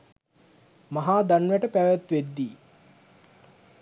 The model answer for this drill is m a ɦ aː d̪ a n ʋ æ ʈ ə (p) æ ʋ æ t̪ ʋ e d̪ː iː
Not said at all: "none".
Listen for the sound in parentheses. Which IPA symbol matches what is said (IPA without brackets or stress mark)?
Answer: p